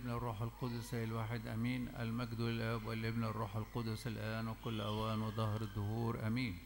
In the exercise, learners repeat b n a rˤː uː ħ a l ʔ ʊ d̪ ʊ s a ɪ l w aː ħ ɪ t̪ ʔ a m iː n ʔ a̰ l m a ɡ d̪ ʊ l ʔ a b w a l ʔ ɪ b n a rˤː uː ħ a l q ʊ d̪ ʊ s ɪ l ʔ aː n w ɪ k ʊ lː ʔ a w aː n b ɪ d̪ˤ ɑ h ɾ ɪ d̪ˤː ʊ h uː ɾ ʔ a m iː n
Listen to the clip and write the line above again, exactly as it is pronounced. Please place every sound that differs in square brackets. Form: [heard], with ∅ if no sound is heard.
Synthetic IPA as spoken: b n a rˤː uː ħ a l [q] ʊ d̪ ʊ s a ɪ l w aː ħ ɪ [d̪] ʔ a m iː n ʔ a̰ l m a ɡ d̪ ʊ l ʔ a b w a l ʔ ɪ b n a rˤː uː ħ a l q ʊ d̪ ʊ s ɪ l ʔ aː n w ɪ k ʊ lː ʔ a w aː n [w] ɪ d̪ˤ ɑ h ɾ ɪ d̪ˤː ʊ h uː ɾ ʔ a m iː n

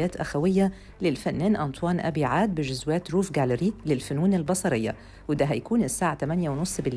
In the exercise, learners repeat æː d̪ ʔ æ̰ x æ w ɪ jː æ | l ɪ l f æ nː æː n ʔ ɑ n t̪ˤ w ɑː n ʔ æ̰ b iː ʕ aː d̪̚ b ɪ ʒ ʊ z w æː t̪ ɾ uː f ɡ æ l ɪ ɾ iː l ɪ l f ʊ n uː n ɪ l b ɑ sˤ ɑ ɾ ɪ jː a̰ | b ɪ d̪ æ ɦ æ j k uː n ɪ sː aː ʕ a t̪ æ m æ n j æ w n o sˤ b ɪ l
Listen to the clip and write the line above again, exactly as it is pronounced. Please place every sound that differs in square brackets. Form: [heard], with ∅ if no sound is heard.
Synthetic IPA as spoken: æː [t̪] ʔ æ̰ x æ w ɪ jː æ | l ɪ l f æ nː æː n ʔ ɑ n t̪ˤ w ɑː n ʔ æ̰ b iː ʕ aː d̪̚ b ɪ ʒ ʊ z w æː t̪ ɾ uː f ɡ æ l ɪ ɾ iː l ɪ l f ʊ n uː n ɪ l b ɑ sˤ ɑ ɾ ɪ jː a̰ | [w] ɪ d̪ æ ɦ æ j k uː n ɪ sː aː ʕ a t̪ æ m æ n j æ w n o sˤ b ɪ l

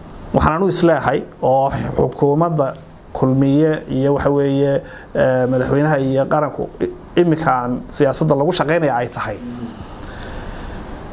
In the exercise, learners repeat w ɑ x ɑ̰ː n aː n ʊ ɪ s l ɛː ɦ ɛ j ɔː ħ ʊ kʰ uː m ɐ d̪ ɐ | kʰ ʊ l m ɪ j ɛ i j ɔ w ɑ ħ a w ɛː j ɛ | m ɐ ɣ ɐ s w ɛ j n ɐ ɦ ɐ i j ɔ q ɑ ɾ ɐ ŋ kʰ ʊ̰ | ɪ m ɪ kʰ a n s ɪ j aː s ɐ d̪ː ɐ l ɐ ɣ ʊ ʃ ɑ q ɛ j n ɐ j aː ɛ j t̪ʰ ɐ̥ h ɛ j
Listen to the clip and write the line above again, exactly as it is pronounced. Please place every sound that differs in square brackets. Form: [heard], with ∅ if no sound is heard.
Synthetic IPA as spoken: w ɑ [ħ] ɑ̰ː n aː n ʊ ɪ s l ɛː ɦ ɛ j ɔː ħ ʊ kʰ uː m ɐ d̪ ɐ | kʰ ʊ l m ɪ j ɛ i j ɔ w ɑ ħ [ɑ] w ɛː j ɛ | m ɐ [ð] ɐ [ħ] w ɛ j n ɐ ɦ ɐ i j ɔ q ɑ ɾ ɐ ŋ kʰ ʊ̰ | ɪ m ɪ kʰ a n s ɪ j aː s ɐ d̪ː ɐ l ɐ ɣ ʊ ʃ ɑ q ɛ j n ɐ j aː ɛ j t̪ʰ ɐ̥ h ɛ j

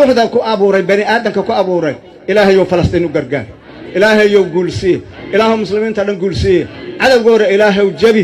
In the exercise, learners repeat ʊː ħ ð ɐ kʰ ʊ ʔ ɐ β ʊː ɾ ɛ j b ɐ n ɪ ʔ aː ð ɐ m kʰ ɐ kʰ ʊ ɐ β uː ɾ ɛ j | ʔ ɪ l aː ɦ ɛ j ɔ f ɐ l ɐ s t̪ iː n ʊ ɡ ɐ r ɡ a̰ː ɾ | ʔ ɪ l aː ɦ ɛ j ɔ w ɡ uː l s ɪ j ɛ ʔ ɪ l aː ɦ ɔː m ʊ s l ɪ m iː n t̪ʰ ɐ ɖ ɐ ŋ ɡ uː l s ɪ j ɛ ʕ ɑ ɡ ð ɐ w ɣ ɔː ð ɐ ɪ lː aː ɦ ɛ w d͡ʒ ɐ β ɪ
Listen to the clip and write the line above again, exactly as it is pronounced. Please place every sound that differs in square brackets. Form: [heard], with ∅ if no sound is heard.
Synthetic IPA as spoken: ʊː ħ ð ɐ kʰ ʊ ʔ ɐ β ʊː ɾ ɛ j b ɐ n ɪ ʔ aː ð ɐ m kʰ ɐ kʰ ʊ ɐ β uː ɾ ɛ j | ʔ ɪ l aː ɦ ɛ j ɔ f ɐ l ɐ s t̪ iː n ʊ ɡ ɐ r ɡ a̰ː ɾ | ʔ ɪ l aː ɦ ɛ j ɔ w ɡ uː l s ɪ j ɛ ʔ ɪ l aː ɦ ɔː m ʊ s l ɪ m iː n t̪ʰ ɐ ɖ ɐ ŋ ɡ uː l s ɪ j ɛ ʕ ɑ [∅] ð ɐ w ɣ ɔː ð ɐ ɪ [l] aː ɦ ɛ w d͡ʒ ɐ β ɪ

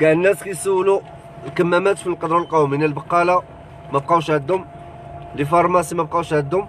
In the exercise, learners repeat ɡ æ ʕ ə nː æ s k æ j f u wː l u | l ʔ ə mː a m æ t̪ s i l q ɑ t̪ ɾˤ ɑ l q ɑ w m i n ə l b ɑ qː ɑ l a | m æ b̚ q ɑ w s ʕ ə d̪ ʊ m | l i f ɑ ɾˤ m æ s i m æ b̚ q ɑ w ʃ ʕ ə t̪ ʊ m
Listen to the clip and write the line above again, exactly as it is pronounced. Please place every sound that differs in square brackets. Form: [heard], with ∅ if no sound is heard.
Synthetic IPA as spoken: ɡ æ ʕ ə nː æ s k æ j [s] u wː l u | l [k] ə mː [æ] m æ t̪ [f] i l q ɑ [d̪] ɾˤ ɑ l q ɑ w m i n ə l b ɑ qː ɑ l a | m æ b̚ q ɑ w [ʃ] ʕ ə d̪ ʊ m | l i f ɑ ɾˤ m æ s i m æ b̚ q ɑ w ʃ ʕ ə [d̪] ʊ m

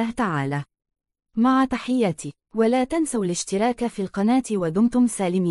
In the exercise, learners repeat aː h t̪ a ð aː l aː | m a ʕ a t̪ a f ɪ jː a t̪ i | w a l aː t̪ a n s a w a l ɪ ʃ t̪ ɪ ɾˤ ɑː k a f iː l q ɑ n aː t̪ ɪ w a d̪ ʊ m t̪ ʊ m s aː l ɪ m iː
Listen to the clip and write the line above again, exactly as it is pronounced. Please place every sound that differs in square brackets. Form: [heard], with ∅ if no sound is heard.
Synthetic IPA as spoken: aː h t̪ a [ʕ] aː l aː | m a ʕ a t̪ a [ħ] ɪ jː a t̪ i | w a l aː t̪ a n s a w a l ɪ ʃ t̪ ɪ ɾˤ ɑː k a f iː l q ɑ n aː t̪ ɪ w a d̪ ʊ m t̪ ʊ m s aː l ɪ m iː

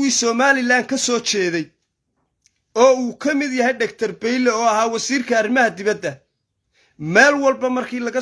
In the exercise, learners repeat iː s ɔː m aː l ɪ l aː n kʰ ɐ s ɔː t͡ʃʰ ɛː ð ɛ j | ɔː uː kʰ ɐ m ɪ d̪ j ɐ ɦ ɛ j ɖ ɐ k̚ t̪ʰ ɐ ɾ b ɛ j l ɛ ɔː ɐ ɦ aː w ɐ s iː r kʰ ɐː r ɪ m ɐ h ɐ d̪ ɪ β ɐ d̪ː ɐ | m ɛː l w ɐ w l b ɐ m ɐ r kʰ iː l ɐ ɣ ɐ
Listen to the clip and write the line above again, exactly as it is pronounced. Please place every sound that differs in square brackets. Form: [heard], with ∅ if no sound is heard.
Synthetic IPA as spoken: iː s ɔː m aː l ɪ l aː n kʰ ɐ s ɔː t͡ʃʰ ɛː ð ɛ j | ɔː uː kʰ ɐ m ɪ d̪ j ɐ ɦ ɛ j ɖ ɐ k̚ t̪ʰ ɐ [r] b ɛ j l ɛ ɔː ɐ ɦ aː w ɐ s iː r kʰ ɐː r ɪ m ɐ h ɐ d̪ ɪ β ɐ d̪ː ɐ | m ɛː l w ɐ [∅] l b ɐ m ɐ r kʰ iː l ɐ ɣ ɐ

